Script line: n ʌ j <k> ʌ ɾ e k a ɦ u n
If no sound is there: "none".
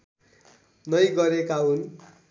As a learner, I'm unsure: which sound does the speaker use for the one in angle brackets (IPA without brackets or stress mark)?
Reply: ɡ